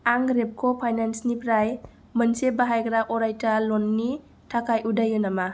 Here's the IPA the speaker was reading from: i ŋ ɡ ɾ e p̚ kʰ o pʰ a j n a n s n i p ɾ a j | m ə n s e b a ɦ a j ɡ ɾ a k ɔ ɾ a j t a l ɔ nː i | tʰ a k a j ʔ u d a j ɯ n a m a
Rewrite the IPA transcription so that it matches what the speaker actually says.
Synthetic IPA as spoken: a ŋ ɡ ɾ e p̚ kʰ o pʰ a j n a n s n i p ɾ a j | m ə n s e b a ɦ a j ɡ ɾ a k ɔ ɾ a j t a l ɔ nː i | tʰ a k a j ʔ u d a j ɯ n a m a